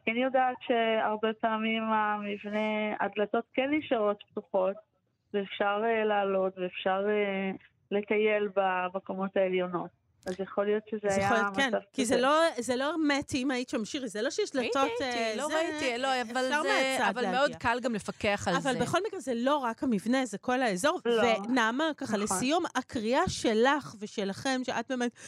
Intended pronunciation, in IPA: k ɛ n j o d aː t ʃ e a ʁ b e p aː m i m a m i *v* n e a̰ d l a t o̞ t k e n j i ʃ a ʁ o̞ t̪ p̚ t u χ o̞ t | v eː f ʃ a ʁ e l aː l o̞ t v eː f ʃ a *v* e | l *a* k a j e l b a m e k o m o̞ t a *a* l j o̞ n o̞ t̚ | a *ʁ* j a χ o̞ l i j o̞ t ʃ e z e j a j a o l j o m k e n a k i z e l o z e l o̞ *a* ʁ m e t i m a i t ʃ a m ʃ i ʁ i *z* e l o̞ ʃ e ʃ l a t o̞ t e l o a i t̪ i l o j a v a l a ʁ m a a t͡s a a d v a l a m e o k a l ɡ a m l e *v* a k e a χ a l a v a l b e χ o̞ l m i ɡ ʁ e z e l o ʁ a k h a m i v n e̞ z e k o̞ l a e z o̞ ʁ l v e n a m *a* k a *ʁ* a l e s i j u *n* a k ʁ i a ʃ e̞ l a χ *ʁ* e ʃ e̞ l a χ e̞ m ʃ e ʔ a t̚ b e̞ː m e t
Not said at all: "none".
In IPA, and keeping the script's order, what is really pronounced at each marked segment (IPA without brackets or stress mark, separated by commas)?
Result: v, ʁ, e, e, z, e, z, f, a, χ, m, v